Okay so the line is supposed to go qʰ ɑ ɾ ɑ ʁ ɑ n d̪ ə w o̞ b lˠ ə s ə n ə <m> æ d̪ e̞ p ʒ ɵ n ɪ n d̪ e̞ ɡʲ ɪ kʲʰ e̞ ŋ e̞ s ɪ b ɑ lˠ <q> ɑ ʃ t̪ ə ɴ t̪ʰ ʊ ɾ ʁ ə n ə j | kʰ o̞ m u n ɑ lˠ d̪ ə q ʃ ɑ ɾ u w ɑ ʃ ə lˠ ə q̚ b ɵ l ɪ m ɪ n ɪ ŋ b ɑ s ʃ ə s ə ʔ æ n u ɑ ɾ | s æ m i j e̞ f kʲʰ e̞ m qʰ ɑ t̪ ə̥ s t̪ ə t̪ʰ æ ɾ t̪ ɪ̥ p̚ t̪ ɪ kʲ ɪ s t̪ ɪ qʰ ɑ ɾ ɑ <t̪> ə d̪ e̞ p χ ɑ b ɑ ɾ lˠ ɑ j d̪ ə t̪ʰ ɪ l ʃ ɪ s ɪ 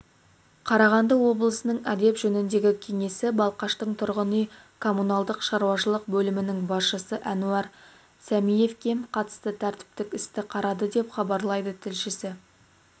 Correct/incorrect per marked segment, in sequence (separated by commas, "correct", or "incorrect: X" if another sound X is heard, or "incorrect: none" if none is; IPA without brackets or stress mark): incorrect: ɴ, correct, incorrect: d̪